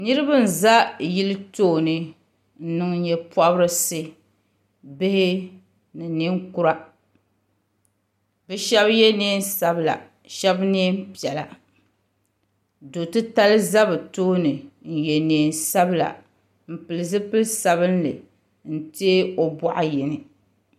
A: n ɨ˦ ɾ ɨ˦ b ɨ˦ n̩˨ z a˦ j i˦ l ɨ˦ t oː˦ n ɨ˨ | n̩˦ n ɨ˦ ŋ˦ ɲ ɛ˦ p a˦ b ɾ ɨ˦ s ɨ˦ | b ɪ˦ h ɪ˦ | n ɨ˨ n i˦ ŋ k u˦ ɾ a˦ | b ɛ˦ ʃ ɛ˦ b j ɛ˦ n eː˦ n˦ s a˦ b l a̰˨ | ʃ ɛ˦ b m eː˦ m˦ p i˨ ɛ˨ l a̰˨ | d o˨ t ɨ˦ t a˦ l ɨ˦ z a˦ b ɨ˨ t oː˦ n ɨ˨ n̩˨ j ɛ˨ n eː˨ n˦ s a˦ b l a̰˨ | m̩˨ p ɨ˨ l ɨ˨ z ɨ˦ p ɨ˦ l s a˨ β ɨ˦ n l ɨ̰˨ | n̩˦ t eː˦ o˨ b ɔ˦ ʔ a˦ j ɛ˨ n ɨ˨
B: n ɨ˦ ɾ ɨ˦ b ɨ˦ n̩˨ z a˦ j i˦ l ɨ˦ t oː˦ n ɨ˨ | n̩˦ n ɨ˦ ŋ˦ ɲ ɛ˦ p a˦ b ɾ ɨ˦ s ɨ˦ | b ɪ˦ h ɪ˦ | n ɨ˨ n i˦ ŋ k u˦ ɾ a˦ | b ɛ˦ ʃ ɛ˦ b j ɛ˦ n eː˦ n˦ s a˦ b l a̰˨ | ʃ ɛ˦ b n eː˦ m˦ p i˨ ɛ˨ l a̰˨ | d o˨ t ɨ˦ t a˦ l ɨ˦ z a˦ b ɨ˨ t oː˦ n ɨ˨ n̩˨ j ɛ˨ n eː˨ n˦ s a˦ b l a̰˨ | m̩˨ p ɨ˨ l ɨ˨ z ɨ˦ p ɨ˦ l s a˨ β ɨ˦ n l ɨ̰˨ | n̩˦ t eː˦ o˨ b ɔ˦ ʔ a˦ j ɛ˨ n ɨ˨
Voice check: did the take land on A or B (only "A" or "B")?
B